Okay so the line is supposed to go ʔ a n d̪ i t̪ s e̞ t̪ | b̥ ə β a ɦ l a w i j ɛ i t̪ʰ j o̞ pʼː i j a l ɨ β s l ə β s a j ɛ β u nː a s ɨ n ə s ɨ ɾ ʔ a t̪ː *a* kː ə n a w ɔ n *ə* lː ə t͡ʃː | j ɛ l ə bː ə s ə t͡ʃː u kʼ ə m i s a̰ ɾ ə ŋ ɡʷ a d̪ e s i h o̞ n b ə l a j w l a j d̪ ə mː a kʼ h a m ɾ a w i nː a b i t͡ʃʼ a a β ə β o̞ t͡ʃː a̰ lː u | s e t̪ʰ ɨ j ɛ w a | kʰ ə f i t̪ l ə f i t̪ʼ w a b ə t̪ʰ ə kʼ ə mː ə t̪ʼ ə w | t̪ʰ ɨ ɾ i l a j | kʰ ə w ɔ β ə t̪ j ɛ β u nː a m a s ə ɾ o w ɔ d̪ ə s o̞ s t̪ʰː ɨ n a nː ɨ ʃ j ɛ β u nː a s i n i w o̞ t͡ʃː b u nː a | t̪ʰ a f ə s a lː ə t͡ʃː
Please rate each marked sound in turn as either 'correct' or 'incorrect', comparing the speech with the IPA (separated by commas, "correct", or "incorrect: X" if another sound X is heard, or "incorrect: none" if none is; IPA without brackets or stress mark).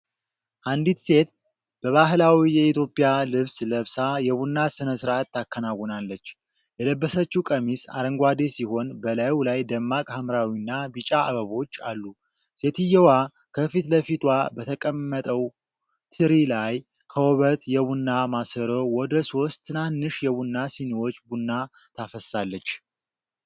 correct, incorrect: a